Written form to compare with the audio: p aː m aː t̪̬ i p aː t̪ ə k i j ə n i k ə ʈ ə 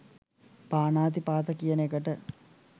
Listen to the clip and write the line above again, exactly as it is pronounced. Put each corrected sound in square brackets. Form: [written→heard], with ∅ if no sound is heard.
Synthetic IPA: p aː [m→n] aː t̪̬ i p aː t̪ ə k i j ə n [i→e] k ə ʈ ə